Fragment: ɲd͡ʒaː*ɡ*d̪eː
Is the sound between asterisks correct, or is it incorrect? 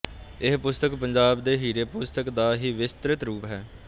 incorrect: b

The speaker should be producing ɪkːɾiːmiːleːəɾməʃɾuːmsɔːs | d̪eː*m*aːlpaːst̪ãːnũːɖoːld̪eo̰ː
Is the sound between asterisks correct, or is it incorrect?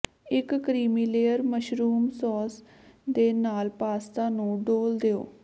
incorrect: n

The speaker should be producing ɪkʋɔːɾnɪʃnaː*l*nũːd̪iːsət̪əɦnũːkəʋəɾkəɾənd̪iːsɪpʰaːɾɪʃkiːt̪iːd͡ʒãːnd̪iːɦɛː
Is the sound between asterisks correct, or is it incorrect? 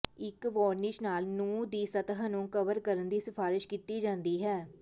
correct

